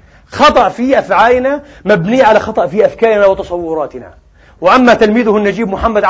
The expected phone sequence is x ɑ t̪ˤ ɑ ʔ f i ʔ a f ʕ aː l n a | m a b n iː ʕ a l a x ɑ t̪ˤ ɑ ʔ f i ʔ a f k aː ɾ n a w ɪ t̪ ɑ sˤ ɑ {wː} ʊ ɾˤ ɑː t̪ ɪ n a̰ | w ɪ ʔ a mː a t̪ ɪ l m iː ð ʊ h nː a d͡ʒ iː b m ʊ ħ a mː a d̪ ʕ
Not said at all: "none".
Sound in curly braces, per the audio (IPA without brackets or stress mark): wː